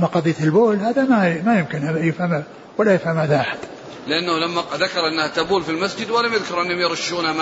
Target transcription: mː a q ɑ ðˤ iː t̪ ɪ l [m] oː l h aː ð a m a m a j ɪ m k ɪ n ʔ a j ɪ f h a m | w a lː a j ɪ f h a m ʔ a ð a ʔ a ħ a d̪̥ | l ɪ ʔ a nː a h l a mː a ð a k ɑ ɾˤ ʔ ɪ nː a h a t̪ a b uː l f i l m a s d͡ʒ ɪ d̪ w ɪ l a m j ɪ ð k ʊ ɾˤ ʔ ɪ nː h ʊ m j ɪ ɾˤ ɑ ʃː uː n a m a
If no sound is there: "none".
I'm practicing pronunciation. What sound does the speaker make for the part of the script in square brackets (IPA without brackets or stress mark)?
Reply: b